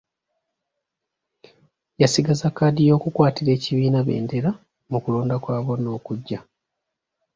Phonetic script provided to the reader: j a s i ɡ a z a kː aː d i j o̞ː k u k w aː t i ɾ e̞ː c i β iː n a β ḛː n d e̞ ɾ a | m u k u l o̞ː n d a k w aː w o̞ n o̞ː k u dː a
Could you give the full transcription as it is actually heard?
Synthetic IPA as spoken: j a s i ɡ a z a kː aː d i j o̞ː k u k w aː t i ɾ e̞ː c i β iː n a β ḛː n d e̞ ɾ a | m u k u l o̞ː n d a k w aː β o̞ n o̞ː k u ɟː a